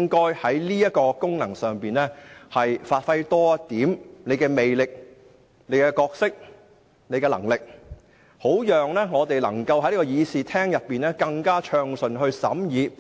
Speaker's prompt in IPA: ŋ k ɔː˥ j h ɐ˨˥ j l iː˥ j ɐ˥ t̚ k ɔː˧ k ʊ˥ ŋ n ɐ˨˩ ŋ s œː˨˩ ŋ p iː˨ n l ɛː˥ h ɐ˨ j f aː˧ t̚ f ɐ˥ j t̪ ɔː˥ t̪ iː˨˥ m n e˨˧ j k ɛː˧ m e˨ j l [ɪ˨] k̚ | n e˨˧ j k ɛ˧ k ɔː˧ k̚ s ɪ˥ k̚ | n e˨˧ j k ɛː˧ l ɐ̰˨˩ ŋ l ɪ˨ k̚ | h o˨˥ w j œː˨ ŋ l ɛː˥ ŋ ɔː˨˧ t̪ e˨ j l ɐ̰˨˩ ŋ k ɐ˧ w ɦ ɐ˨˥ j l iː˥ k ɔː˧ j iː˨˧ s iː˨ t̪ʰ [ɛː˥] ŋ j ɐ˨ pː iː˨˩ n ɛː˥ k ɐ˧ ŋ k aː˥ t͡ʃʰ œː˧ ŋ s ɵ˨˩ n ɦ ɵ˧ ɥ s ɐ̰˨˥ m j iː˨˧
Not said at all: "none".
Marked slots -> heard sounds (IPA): ɪ˨, ɛː˥

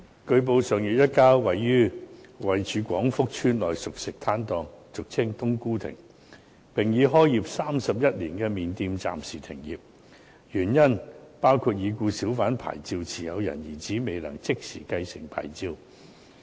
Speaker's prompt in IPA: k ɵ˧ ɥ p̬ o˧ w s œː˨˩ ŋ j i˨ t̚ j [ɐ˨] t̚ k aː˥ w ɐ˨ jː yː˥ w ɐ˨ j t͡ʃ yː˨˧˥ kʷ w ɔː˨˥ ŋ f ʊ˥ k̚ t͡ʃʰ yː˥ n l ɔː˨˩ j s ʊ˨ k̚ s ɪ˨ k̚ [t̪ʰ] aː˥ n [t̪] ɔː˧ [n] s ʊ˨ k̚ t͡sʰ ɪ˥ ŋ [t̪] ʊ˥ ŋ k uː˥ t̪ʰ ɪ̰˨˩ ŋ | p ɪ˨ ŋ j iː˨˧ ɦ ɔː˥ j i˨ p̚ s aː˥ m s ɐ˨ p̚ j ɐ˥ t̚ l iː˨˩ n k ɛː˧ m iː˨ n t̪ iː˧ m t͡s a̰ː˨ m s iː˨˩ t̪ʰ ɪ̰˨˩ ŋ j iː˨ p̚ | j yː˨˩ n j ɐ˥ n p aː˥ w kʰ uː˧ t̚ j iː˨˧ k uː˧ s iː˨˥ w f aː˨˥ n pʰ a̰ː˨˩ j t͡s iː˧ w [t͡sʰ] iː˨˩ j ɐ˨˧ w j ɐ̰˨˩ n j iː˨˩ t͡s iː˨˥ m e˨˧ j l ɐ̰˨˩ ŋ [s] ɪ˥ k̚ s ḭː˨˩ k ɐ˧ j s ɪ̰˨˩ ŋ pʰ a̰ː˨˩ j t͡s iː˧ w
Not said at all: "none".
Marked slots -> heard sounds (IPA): ɐ˥, t̪ʰ, t̪, ŋ, t̪, t͡sʰ, t͡s

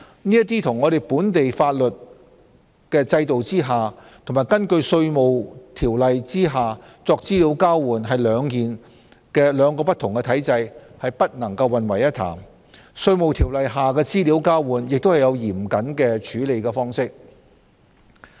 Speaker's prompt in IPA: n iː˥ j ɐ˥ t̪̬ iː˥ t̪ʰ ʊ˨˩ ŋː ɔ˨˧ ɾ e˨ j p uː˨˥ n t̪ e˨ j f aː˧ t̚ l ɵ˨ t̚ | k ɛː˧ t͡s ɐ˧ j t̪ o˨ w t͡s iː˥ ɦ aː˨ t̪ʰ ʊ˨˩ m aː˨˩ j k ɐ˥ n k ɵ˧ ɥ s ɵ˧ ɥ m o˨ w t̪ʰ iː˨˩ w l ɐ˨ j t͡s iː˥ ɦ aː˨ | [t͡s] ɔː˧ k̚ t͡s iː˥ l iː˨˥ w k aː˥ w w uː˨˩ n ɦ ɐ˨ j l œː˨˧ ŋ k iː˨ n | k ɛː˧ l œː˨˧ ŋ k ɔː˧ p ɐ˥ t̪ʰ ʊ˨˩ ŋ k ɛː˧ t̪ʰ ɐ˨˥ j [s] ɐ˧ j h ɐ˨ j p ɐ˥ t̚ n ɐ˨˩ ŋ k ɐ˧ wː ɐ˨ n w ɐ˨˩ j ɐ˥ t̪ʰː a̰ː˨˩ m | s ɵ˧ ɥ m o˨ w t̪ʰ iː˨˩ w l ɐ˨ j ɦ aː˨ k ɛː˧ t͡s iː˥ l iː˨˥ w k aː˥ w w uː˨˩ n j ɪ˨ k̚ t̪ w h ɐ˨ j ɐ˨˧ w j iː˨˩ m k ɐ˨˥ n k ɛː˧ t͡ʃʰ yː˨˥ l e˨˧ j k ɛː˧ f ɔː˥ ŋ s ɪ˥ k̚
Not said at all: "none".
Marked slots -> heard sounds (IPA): t͡s, t͡s

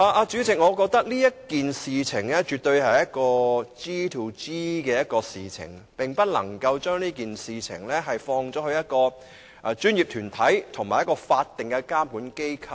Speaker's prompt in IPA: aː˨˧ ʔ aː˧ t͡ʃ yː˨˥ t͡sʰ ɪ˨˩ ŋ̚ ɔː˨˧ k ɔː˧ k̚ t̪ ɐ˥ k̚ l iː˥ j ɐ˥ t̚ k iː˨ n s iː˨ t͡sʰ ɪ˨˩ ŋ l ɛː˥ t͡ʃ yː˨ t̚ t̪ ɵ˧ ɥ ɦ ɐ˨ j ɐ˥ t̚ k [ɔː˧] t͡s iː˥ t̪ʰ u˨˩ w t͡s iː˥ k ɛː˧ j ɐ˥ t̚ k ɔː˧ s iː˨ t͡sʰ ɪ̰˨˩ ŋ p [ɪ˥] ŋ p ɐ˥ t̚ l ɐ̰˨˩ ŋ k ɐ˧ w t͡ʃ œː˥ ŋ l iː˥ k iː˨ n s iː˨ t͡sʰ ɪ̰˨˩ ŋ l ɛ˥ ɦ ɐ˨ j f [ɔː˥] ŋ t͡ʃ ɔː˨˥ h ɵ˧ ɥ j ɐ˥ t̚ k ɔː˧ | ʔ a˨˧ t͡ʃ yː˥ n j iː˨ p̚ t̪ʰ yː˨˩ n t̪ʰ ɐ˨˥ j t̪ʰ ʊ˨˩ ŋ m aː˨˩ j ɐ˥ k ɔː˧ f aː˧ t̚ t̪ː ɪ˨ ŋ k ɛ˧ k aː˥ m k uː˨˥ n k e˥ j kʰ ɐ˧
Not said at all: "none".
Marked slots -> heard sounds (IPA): ɔː˧, ɪ˨, ɔː˧

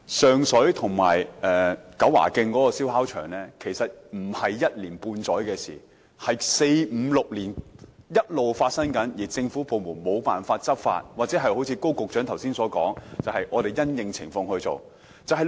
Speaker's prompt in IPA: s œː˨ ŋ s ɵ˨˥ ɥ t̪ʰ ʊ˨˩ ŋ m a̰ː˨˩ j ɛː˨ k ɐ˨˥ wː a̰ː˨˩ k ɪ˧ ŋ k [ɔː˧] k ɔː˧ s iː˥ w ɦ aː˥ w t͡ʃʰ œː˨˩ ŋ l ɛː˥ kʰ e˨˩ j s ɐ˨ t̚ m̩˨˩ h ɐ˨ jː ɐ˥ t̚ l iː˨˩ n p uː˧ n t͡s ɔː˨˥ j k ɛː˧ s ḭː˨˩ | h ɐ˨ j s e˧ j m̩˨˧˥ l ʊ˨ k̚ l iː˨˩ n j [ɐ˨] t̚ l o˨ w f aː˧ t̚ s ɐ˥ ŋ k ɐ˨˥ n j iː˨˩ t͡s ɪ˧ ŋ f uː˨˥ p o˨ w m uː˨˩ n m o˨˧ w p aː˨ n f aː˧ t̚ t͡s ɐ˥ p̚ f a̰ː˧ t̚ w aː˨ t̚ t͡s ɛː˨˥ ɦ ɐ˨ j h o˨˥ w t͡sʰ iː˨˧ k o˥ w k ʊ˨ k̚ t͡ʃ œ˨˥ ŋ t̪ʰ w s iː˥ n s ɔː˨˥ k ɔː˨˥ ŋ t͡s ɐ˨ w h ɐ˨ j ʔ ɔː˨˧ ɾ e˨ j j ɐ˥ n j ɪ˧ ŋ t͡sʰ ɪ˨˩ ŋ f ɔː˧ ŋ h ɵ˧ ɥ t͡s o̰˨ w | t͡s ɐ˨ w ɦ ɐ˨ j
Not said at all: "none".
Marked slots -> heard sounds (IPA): ɔː˨˥, ɐ˥

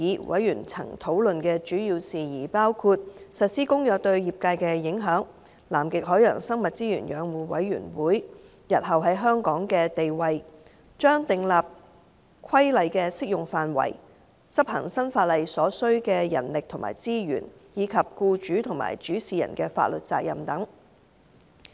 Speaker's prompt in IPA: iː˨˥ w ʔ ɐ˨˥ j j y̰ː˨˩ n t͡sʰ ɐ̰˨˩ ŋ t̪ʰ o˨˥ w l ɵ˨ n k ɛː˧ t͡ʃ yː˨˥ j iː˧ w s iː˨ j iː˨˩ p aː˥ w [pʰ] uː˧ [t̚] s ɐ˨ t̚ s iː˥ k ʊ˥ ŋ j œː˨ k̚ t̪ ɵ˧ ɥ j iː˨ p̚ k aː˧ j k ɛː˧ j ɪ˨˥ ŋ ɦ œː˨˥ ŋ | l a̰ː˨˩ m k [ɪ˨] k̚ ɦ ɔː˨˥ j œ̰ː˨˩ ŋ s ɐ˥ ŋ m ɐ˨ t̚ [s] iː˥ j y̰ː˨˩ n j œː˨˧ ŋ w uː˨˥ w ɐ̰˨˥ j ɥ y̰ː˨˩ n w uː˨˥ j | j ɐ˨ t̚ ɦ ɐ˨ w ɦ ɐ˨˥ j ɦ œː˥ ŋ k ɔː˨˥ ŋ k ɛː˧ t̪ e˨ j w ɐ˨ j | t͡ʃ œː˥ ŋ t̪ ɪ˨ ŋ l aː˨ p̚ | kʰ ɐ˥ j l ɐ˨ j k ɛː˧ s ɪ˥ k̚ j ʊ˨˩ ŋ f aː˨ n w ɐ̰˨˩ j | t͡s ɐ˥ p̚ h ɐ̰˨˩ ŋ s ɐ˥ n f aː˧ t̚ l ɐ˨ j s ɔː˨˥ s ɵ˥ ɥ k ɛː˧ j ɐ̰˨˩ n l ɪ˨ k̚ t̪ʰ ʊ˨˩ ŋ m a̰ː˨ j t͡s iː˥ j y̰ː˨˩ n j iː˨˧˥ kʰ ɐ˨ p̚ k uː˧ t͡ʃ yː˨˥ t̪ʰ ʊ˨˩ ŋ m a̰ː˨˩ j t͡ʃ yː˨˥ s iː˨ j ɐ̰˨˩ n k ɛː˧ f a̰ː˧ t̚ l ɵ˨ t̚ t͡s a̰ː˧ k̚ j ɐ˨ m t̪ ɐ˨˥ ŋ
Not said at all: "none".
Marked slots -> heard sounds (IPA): kʰ, t̚, ɪ˨, t͡s

